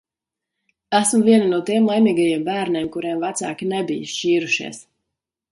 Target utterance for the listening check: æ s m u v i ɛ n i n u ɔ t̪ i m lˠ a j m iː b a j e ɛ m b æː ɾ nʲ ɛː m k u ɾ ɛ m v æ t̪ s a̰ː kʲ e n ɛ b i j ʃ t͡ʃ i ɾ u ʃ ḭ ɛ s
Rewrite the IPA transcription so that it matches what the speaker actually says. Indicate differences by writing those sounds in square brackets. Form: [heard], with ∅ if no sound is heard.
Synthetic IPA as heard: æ s m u v i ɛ n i n u ɔ t̪ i m lˠ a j m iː [ɡ] a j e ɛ m b æː ɾ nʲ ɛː m k u ɾ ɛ m v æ t̪ s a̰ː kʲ [i] n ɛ b i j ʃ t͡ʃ [iː] ɾ u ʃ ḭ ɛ s